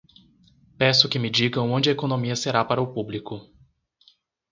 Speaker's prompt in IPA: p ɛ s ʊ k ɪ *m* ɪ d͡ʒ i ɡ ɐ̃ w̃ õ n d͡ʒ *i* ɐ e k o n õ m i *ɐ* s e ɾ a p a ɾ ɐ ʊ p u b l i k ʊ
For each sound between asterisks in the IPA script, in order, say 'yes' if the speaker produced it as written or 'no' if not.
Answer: yes, no, yes

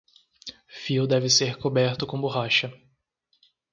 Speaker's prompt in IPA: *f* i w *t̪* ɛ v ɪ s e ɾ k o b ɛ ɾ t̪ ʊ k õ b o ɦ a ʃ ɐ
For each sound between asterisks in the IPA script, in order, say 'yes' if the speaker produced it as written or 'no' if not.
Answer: yes, no

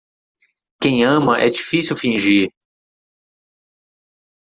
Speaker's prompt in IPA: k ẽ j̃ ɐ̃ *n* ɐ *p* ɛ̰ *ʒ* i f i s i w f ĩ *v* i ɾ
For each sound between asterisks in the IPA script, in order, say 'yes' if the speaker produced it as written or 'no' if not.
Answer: no, no, no, no

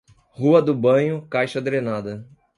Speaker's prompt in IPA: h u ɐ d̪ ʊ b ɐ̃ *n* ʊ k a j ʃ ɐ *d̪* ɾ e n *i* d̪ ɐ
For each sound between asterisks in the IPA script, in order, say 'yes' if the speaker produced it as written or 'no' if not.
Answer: no, yes, no

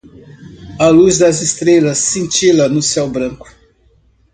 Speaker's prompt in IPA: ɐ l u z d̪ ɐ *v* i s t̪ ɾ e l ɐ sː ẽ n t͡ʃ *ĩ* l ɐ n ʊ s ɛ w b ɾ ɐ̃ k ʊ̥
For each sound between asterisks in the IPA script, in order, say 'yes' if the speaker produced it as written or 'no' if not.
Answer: no, no

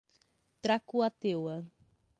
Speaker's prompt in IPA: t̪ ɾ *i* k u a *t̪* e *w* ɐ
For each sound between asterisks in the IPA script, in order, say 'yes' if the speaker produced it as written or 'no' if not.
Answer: no, yes, yes

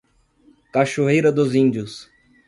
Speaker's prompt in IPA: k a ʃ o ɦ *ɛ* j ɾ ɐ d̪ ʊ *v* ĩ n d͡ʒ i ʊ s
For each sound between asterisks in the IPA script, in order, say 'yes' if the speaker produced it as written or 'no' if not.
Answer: no, no

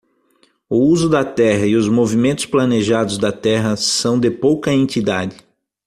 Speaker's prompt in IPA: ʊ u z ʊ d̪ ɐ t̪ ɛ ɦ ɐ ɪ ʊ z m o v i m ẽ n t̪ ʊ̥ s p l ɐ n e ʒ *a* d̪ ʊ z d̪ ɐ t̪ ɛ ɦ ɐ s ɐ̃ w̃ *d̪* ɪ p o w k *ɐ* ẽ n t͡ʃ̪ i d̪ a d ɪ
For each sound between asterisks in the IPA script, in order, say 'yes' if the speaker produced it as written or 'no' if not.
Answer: yes, yes, yes

